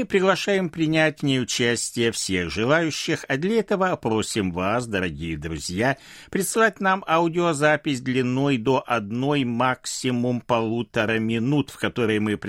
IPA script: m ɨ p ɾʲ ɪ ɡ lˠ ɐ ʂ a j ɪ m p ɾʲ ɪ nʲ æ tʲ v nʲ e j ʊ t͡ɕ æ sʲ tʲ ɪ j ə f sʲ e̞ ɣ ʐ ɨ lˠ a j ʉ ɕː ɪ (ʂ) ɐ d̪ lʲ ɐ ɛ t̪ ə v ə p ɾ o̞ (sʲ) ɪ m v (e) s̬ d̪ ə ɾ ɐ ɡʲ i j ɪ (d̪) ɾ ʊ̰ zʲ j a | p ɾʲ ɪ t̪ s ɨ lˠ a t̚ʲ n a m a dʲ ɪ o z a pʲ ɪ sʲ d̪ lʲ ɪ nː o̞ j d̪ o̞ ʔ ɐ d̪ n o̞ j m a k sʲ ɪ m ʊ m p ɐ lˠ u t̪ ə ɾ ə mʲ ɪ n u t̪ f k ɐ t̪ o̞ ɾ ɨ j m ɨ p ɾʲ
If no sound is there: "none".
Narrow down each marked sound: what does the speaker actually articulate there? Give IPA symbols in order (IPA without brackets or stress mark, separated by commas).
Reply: x, sʲ, a, d̪